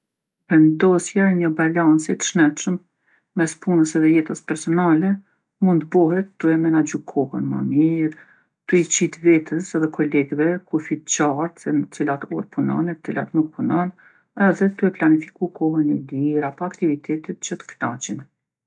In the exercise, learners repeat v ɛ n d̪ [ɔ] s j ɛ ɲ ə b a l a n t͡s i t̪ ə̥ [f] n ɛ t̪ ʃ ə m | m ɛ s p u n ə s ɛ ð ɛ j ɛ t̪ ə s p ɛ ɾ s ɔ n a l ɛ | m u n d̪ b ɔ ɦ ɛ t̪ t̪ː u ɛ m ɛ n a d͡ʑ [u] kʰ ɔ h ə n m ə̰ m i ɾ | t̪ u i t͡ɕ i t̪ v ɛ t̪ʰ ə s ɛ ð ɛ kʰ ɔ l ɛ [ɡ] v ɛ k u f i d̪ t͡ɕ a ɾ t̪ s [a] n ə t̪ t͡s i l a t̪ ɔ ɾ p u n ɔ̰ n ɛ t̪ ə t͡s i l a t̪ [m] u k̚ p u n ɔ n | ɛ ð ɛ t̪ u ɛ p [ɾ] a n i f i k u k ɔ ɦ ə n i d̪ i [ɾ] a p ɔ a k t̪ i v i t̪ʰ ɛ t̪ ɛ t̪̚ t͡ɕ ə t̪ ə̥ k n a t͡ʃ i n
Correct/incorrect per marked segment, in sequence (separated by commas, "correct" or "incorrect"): correct, incorrect, correct, correct, incorrect, incorrect, incorrect, correct